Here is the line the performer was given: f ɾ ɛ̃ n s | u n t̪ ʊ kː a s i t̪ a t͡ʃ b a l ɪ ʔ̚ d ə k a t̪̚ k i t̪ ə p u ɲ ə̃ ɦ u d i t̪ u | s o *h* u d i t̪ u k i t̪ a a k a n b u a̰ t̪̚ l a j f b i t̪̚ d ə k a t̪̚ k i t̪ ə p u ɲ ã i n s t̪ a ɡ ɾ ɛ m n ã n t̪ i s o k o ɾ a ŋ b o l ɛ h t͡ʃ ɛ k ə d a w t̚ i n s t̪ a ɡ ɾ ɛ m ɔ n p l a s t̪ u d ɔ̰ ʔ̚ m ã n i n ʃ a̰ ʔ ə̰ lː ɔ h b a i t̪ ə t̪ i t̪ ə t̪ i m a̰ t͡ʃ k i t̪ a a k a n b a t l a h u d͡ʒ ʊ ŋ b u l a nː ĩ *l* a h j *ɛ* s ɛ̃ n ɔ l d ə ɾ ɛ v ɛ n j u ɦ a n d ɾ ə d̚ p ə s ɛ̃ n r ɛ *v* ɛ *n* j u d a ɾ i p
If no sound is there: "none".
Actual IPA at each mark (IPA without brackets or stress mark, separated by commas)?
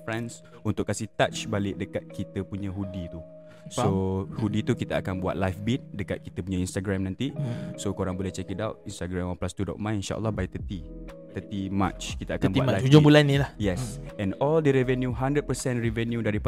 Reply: h, l, ɛ, v, n